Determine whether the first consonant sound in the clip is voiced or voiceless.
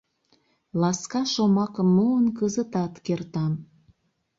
voiced